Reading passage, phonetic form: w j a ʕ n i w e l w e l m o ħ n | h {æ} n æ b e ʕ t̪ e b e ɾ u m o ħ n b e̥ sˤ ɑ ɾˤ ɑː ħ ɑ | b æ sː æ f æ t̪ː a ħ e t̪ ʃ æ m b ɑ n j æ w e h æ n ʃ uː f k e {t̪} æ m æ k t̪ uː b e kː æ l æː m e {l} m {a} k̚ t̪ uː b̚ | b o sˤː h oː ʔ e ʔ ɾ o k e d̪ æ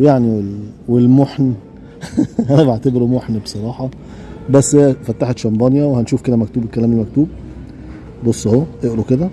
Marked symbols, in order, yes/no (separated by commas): yes, no, yes, no